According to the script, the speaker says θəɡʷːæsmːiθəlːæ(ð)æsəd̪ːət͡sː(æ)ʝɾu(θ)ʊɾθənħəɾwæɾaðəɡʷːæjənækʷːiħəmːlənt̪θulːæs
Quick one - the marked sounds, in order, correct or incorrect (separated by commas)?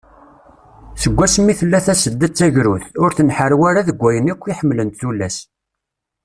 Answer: incorrect, correct, correct